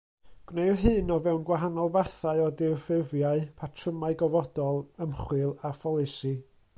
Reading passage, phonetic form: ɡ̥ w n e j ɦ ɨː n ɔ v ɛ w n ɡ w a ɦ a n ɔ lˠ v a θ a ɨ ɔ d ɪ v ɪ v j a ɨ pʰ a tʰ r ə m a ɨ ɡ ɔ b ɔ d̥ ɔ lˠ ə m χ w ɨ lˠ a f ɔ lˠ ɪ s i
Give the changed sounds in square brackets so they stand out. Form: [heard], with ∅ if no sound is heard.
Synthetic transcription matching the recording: ɡ̥ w n e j ɦ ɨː n ɔ v ɛ w n ɡ w a ɦ a n ɔ lˠ v a θ a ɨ ɔ d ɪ [f] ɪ v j a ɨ pʰ a tʰ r ə m a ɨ ɡ ɔ [v] ɔ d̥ ɔ lˠ ə m χ w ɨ lˠ a f ɔ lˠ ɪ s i